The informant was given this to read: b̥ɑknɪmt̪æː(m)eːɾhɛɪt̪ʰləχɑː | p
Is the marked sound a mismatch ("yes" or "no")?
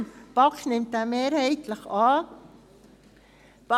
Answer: no